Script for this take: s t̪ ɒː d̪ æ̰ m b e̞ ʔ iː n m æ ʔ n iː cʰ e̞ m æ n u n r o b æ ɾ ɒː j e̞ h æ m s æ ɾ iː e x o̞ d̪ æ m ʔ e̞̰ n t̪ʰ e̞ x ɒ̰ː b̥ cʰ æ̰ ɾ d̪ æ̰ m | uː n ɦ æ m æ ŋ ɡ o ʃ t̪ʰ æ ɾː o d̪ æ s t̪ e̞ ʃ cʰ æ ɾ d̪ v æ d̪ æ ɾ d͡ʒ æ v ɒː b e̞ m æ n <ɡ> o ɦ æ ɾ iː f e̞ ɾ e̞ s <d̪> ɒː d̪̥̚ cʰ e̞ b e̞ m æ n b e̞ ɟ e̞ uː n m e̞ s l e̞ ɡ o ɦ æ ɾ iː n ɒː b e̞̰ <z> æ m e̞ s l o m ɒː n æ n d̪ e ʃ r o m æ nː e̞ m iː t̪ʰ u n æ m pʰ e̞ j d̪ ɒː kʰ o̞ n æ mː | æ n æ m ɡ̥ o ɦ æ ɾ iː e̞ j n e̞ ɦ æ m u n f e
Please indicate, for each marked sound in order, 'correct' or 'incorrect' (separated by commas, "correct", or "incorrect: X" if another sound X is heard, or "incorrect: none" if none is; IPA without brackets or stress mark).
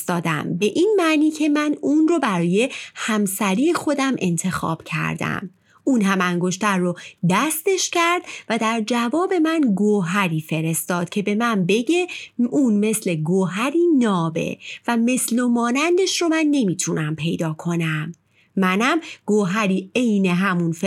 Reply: correct, incorrect: t̪, incorrect: v